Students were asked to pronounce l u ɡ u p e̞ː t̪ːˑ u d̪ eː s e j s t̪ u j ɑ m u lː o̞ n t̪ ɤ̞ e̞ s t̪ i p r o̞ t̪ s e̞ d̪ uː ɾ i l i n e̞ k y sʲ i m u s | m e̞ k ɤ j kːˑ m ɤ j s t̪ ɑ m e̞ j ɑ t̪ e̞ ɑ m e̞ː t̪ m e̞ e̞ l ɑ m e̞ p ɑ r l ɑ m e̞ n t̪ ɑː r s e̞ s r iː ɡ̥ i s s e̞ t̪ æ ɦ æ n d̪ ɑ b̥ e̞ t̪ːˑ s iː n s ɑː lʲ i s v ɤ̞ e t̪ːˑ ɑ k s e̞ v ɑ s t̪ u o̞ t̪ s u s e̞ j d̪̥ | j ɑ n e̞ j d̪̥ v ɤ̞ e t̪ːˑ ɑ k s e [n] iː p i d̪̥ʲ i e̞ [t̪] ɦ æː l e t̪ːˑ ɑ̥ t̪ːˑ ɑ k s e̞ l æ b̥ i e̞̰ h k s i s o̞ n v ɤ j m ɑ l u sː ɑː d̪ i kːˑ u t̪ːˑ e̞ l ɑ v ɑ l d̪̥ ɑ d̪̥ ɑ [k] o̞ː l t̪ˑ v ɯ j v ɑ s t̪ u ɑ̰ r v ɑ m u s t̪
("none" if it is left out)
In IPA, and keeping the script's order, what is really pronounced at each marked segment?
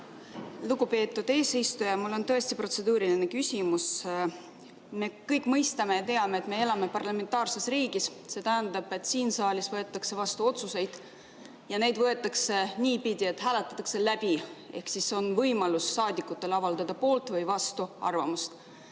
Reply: n, t̪, p

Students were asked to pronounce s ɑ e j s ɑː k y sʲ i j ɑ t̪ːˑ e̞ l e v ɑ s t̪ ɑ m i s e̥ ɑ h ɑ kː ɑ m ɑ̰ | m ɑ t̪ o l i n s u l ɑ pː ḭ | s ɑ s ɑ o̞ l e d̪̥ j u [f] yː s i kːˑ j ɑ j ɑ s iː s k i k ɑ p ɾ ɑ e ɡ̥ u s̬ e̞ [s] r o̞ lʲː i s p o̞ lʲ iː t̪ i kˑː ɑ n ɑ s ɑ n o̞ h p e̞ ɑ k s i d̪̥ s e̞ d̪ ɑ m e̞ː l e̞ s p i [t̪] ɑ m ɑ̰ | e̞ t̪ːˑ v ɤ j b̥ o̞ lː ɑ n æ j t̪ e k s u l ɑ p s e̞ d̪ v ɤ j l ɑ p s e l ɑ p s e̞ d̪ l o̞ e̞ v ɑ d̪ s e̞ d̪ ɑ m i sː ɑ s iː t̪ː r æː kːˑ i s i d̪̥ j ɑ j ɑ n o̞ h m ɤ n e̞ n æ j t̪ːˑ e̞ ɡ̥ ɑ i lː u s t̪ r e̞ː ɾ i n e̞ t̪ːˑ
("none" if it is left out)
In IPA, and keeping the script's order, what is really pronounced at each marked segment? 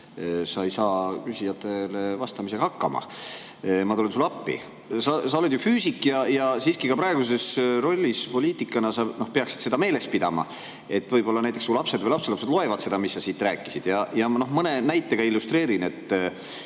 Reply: f, s, d̪

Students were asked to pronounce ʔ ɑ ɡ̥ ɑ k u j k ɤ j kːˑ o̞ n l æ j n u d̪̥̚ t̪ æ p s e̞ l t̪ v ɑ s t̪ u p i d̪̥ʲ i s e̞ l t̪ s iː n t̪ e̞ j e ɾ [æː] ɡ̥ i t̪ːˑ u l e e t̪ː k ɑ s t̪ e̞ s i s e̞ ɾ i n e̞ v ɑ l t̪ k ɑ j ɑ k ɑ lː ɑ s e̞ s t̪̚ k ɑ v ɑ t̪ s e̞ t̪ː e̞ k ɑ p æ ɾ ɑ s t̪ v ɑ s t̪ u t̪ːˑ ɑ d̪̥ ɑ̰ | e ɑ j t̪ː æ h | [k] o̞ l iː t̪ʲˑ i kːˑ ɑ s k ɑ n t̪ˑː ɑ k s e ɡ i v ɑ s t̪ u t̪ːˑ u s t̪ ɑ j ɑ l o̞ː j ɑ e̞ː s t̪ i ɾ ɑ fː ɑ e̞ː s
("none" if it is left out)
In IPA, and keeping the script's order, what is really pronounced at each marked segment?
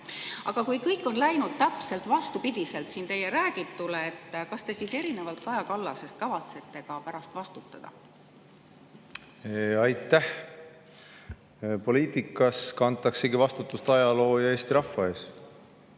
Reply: æː, p

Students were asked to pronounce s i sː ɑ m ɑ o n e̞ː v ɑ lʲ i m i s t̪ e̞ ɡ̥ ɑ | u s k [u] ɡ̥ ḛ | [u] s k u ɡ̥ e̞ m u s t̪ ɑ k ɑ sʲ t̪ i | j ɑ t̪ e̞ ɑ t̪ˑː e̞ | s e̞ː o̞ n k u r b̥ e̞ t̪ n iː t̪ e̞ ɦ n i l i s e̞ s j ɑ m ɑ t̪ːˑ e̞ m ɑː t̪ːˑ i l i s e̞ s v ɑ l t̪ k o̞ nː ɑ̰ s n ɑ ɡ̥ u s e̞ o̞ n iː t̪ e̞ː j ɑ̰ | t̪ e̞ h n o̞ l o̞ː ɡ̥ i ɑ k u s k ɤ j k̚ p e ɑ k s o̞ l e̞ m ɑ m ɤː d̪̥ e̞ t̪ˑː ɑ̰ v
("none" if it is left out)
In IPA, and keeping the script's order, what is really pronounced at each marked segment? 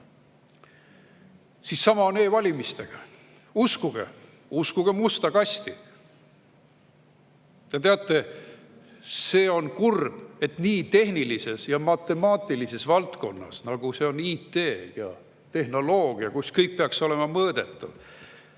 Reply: u, u

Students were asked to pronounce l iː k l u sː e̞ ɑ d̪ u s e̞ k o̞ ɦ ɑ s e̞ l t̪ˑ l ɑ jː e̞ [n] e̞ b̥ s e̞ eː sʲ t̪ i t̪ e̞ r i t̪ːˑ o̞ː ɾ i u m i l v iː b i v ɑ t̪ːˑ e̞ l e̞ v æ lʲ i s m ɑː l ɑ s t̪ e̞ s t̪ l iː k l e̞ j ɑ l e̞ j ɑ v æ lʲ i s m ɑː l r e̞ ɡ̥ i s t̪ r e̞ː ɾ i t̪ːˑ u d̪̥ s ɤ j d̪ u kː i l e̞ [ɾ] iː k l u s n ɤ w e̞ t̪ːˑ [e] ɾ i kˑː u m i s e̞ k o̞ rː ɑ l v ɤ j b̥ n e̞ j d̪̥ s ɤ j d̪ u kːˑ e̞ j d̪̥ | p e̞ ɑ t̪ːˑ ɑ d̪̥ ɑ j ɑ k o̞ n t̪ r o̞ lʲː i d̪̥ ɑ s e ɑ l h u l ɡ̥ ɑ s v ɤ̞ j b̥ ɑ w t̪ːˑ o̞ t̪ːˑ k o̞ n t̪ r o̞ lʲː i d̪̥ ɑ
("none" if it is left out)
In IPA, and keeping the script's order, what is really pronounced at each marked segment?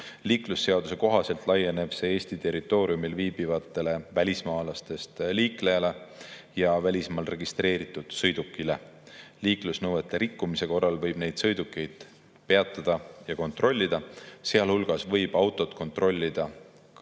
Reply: n, l, e

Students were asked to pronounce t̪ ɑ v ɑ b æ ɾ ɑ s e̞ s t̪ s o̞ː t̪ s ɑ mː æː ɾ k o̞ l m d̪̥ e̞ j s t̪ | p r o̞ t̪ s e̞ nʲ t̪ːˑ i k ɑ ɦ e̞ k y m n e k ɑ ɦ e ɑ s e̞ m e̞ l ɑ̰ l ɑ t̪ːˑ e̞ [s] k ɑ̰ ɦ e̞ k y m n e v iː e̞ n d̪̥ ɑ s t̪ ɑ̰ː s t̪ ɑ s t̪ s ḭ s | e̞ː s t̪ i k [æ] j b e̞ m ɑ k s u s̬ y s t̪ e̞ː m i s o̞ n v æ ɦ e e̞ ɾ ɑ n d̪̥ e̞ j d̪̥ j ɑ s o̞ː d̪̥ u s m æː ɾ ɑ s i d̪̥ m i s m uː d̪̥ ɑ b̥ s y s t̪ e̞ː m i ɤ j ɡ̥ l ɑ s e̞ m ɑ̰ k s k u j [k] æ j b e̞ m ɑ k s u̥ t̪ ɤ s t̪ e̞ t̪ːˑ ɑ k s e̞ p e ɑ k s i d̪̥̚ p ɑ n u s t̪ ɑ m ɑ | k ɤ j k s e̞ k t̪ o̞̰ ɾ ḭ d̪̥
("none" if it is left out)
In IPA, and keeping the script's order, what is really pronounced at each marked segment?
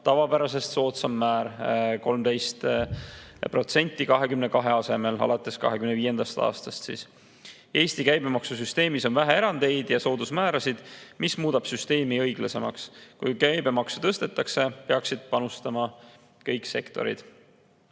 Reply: s, æ, k

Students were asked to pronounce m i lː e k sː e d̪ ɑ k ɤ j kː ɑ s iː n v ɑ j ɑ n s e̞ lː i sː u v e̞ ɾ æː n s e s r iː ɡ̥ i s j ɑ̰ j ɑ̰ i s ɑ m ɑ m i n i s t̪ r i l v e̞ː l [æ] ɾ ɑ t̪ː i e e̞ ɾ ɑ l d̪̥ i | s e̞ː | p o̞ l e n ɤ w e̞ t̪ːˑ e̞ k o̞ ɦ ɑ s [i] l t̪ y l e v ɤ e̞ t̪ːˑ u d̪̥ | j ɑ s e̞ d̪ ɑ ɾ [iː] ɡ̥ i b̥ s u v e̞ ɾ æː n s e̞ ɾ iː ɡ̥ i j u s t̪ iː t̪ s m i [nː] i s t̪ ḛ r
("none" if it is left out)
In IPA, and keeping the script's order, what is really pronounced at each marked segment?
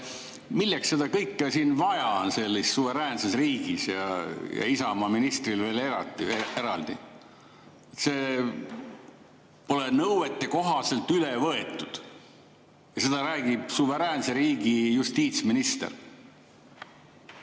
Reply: e, e, æː, n

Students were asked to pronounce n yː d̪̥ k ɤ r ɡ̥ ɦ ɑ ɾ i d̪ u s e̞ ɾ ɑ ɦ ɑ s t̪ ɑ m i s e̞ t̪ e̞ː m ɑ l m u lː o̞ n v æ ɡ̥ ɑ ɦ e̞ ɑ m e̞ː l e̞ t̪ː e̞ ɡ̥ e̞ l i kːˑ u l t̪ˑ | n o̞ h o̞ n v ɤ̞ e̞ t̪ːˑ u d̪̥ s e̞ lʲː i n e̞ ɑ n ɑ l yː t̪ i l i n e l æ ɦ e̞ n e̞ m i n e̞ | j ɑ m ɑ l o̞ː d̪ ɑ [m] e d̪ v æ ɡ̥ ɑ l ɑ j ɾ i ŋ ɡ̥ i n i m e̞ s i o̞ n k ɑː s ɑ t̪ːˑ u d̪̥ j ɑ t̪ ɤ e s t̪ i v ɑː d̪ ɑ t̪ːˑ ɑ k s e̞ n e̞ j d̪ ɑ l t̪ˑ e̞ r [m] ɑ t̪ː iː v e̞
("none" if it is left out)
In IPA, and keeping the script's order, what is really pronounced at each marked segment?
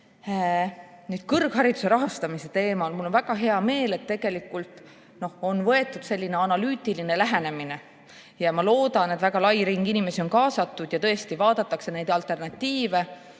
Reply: n, n

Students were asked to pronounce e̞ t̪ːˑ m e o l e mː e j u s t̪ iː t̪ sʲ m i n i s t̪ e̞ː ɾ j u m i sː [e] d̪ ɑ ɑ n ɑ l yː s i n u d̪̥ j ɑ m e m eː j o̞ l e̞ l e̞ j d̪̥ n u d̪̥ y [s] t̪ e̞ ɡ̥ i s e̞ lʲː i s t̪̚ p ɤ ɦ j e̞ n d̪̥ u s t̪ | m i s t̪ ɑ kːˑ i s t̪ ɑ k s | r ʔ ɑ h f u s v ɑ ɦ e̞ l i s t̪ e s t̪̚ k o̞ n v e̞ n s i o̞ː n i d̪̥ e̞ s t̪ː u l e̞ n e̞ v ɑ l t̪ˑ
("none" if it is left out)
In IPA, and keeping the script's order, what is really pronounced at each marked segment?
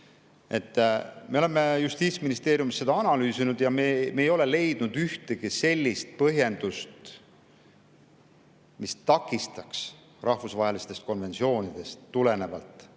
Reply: e, h

